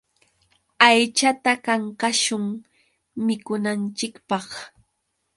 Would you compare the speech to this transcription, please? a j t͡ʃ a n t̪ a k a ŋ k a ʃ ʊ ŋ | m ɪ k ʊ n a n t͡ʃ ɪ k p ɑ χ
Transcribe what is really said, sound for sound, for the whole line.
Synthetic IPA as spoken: a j t͡ʃ a t̪ a k a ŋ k a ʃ ʊ ŋ | m ɪ k ʊ n a n t͡ʃ ɪ k p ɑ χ